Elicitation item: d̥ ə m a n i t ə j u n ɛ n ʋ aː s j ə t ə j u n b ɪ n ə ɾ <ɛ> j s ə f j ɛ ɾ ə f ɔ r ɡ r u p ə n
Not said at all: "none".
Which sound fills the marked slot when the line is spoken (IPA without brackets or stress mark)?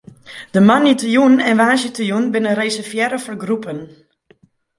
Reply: e